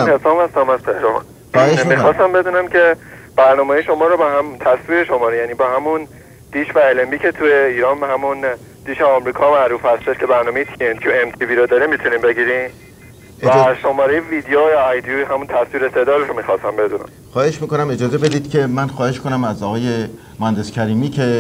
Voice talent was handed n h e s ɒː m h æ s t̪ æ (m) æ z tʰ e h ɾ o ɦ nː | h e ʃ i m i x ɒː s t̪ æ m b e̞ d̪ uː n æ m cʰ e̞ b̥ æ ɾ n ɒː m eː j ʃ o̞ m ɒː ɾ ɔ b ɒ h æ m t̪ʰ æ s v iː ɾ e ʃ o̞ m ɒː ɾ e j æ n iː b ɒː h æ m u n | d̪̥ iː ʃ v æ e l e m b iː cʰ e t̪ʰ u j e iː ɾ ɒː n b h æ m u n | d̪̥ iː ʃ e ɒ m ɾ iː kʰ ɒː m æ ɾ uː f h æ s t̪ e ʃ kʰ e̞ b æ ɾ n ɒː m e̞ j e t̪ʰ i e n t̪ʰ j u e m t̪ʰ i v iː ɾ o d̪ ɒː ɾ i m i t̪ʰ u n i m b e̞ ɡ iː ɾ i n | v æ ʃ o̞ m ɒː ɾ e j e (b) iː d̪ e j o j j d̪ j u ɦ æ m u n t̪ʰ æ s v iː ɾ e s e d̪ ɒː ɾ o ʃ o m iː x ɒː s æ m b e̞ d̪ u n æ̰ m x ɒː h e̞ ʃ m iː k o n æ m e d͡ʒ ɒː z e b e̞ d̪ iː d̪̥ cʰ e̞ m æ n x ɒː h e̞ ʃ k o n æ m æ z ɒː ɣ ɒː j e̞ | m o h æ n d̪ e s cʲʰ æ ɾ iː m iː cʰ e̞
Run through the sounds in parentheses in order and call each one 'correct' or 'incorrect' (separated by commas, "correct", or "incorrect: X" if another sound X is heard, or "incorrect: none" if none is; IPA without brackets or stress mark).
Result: correct, incorrect: v